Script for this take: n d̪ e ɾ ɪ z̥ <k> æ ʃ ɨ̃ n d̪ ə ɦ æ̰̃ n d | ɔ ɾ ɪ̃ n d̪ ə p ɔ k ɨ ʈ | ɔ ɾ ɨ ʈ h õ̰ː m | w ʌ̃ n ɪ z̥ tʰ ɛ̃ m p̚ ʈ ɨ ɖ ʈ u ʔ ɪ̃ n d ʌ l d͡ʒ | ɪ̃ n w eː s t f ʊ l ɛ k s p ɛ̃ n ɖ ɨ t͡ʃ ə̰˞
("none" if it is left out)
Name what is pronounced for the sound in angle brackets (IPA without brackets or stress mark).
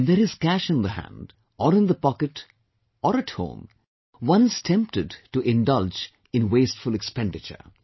k